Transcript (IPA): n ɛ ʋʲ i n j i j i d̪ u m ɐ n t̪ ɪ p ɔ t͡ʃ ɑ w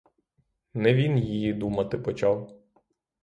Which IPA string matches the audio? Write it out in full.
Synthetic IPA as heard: n ɛ ʋʲ i n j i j i d̪ u m ɐ t̪ ɪ p ɔ t͡ʃ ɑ w